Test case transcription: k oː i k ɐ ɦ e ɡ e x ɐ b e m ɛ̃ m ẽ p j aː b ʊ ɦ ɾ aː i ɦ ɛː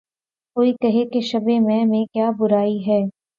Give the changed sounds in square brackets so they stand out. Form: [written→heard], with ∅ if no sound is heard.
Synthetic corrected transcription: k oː i k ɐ ɦ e [ɡ→k] e [x→ʃ] ɐ b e m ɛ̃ m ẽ [p→k] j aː b ʊ [ɦ→∅] ɾ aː i ɦ ɛː